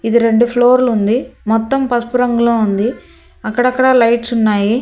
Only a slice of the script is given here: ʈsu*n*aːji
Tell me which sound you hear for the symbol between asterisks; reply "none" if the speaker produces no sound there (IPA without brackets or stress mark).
nː